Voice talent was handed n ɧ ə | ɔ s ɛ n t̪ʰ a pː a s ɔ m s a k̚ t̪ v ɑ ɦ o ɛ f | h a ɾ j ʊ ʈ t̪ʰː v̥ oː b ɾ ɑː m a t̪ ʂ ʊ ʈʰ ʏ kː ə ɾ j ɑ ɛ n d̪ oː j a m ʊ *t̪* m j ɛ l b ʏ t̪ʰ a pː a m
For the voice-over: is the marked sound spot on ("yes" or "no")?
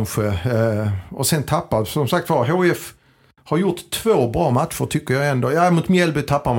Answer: yes